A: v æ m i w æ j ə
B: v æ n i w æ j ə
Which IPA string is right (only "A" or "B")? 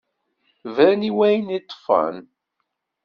B